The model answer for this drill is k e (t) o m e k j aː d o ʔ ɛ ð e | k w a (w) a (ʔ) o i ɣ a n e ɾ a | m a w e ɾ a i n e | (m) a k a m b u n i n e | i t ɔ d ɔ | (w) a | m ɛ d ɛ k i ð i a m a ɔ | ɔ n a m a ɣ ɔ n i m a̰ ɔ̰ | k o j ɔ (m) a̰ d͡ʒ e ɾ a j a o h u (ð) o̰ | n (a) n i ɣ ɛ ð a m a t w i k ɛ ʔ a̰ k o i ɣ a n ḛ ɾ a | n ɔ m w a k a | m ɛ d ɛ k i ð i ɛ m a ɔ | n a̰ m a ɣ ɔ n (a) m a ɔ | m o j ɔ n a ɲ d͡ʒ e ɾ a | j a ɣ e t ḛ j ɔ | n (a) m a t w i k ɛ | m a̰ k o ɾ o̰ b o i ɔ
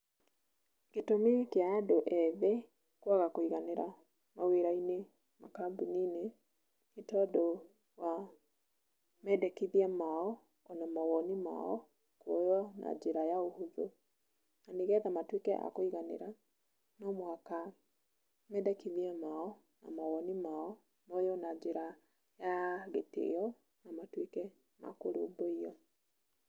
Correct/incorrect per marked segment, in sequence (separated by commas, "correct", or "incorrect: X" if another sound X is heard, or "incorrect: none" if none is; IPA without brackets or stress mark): correct, incorrect: ɣ, incorrect: k, correct, correct, incorrect: n, correct, correct, incorrect: i, correct